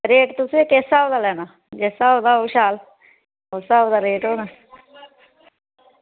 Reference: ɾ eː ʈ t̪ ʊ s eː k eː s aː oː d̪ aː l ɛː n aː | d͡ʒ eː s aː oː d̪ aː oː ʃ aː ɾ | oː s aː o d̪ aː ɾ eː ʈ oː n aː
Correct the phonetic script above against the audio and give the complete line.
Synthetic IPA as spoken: ɾ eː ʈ t̪ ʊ s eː k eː s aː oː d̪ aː l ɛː n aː | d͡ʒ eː s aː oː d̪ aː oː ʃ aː l | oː s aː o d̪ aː ɾ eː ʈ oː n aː